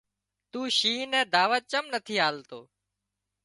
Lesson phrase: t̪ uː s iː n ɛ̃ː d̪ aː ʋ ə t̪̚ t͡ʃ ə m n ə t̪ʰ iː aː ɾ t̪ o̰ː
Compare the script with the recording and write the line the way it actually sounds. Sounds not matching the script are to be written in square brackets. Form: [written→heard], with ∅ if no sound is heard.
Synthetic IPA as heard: t̪ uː [s→ʃ] iː n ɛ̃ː d̪ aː ʋ ə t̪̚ t͡ʃ ə m n ə t̪ʰ iː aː [ɾ→l] t̪ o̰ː